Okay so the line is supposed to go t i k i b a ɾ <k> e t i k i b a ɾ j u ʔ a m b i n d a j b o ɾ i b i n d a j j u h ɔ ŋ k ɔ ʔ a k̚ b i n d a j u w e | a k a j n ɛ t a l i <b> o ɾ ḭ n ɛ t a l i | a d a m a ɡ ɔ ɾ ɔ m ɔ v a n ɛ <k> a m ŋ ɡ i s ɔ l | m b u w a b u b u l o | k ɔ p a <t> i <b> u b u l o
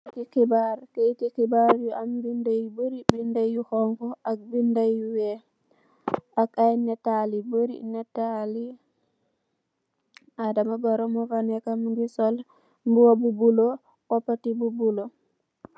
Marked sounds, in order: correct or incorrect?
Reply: correct, correct, correct, correct, correct

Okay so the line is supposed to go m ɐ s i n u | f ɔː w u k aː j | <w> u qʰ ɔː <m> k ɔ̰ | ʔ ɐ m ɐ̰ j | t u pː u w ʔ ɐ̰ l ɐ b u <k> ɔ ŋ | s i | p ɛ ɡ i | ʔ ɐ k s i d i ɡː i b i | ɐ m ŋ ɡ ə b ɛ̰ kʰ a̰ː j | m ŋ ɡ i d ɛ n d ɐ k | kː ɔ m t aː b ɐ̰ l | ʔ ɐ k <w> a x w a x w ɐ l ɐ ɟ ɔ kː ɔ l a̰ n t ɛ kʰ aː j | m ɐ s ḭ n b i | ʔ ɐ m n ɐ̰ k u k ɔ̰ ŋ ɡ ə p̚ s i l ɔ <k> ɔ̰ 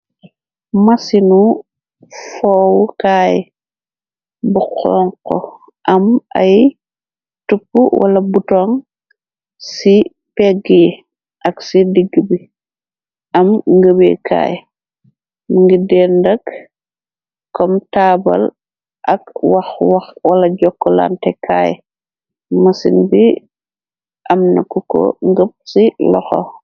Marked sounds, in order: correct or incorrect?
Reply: incorrect, incorrect, incorrect, correct, incorrect

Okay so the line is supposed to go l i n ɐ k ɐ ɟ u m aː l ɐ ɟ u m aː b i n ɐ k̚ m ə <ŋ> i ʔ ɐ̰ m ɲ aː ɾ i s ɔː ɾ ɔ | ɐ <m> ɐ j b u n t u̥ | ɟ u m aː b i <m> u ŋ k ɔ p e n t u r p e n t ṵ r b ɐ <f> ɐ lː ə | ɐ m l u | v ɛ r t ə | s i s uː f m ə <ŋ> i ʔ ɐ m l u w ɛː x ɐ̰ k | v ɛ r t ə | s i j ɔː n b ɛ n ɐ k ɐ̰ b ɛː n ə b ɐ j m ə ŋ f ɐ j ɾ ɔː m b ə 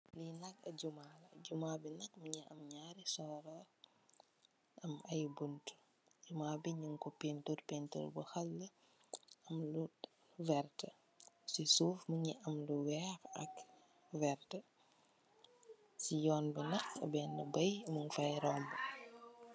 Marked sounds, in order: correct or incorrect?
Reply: incorrect, correct, incorrect, incorrect, incorrect

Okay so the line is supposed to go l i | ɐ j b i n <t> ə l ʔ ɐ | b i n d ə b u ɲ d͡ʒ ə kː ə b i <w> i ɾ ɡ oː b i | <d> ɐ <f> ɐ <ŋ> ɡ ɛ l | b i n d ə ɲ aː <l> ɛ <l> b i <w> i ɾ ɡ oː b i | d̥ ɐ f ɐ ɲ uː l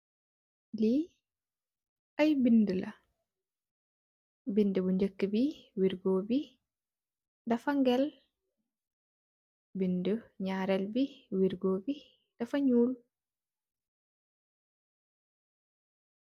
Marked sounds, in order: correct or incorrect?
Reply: incorrect, correct, correct, correct, correct, incorrect, correct, correct

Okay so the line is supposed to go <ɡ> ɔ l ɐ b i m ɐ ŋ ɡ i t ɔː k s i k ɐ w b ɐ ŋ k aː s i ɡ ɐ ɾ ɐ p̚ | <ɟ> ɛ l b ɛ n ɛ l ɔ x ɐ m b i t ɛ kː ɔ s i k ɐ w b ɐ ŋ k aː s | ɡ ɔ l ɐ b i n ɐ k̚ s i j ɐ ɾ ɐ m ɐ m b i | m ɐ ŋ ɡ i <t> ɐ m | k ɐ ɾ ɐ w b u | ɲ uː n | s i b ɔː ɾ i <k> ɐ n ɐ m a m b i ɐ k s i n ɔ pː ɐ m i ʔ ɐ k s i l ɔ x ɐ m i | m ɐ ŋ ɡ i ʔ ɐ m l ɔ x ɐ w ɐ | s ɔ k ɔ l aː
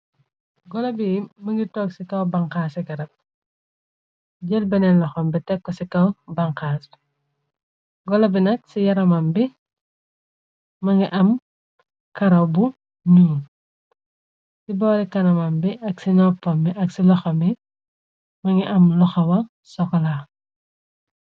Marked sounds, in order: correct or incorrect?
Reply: correct, correct, incorrect, correct

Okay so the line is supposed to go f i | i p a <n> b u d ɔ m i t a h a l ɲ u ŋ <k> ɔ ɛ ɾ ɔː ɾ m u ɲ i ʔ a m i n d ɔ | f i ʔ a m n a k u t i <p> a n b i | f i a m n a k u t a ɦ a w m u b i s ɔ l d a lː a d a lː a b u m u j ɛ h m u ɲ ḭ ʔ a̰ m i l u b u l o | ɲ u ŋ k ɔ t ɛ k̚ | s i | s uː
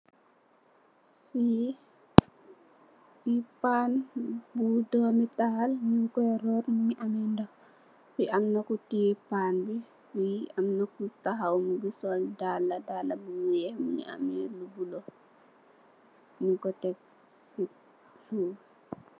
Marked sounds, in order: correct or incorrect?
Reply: correct, correct, correct

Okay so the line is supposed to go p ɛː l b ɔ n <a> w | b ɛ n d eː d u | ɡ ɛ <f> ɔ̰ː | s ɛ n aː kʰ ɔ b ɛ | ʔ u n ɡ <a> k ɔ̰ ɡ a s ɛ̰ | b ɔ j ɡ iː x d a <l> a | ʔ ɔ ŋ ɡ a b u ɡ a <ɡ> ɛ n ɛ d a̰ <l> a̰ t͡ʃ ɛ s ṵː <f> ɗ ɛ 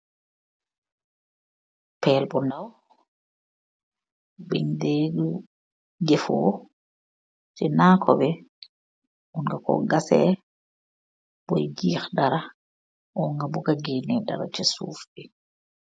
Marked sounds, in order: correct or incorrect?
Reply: correct, correct, correct, incorrect, correct, incorrect, correct

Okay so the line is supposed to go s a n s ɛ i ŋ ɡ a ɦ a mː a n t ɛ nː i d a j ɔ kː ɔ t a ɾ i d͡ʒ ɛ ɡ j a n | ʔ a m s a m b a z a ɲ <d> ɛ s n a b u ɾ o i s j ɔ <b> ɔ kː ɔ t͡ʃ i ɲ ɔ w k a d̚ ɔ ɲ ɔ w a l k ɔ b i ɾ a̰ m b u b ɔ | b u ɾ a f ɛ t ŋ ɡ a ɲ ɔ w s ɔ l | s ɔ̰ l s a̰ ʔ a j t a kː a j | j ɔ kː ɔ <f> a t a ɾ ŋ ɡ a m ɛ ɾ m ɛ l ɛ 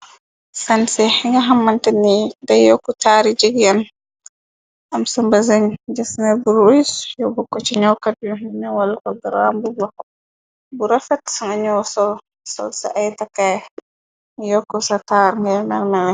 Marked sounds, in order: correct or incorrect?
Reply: incorrect, correct, incorrect

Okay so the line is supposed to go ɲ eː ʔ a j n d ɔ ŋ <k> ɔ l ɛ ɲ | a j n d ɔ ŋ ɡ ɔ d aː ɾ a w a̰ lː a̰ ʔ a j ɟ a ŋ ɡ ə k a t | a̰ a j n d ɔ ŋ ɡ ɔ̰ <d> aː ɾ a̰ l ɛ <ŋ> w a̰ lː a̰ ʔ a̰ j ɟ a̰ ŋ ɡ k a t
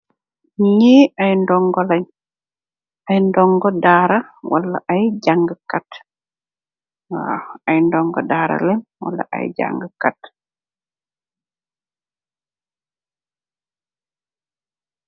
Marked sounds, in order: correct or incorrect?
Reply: incorrect, correct, incorrect

